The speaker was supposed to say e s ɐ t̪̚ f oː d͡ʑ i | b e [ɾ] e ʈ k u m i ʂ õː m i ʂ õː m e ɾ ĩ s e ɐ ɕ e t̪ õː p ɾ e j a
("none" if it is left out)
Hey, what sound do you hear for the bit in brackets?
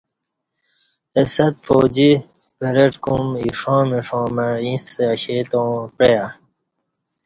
ɾ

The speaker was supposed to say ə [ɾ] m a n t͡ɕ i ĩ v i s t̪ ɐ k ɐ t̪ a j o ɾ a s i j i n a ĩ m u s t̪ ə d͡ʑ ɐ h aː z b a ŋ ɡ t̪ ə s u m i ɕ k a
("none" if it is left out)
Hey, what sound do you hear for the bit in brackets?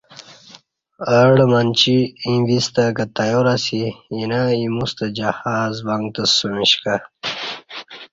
ɽ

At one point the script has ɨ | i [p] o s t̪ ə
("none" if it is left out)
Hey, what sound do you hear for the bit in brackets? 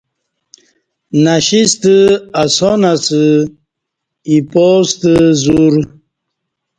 p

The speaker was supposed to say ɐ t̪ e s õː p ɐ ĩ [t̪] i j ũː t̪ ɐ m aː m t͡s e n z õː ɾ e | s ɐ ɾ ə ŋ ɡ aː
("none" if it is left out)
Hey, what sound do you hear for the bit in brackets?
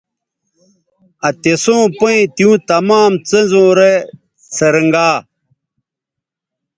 t̪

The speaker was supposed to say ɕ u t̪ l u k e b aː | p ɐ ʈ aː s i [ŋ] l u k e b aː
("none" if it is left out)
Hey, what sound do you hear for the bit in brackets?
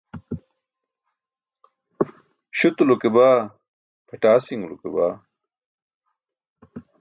ŋ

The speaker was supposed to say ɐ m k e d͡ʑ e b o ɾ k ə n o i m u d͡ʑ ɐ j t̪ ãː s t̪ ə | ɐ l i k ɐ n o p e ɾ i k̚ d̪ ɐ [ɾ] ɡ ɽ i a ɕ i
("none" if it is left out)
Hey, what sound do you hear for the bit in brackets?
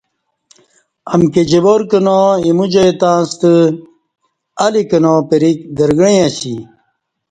ɾ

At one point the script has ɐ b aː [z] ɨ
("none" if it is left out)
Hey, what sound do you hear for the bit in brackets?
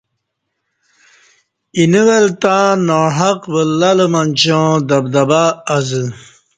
z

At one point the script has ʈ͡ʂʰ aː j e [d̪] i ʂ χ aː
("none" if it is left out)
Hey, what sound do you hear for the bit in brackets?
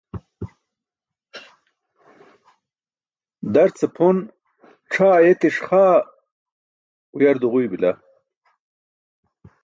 t̪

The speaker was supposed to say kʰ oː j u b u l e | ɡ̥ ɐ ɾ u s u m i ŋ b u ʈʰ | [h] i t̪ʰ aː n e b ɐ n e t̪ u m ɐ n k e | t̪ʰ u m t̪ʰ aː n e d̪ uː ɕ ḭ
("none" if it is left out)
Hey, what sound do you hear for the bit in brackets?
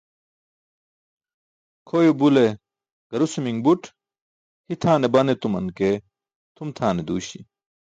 h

